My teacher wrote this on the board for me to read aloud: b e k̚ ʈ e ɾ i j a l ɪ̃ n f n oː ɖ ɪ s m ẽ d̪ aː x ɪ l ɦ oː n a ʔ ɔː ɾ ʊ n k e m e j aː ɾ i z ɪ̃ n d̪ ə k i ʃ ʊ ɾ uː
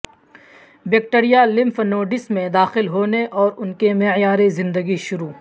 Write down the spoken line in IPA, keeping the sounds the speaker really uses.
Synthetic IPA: b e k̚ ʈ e ɾ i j a l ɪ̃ m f n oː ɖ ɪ s m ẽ d̪ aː x ɪ l ɦ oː n e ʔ ɔː ɾ ʊ n k e m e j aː ɾ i z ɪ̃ n d̪ ə ɡ i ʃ ʊ ɾ uː